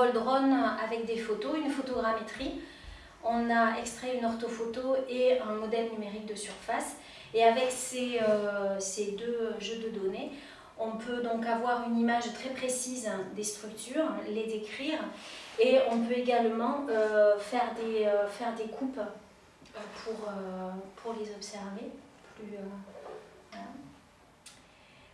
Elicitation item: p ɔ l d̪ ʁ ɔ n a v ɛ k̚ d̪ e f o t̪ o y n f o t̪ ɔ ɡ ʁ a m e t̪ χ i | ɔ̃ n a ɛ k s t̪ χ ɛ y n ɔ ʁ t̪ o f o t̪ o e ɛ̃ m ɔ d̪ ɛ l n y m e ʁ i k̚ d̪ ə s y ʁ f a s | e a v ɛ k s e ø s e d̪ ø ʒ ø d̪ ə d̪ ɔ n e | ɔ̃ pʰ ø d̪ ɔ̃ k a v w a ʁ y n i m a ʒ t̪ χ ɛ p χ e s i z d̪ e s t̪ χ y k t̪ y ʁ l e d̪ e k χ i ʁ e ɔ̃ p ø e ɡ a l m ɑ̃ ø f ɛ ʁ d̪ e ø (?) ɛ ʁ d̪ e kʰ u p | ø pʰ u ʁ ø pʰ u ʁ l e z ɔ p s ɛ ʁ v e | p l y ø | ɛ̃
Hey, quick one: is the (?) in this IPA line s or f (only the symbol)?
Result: f